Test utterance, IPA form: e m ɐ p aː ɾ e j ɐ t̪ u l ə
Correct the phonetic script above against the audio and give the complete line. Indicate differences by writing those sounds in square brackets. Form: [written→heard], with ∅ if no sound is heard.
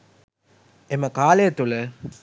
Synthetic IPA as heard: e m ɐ [p→k] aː [ɾ→l] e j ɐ t̪ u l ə